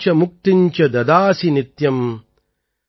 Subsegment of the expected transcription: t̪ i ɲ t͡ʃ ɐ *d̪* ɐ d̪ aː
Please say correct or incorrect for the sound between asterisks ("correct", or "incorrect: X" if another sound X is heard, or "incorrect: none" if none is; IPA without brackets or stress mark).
correct